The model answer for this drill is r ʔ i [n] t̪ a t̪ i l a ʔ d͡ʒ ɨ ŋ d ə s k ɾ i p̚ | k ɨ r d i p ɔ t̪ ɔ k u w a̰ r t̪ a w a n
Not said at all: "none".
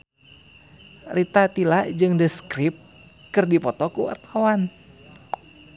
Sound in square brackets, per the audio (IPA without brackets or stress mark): none